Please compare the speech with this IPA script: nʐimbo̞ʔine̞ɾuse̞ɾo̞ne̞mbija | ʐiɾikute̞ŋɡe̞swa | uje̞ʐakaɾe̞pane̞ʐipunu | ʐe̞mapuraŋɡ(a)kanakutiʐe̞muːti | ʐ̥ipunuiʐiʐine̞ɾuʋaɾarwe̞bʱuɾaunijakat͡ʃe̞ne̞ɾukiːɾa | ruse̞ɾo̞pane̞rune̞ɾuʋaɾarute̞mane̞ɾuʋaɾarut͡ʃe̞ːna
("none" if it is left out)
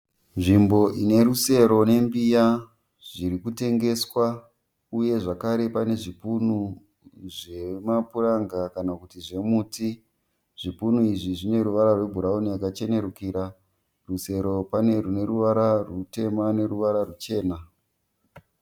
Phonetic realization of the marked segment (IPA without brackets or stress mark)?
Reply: a